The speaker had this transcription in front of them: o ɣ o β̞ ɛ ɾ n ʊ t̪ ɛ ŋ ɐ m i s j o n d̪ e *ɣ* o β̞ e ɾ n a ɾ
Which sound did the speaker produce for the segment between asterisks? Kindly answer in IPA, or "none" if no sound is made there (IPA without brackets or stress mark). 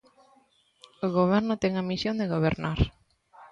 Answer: ɣ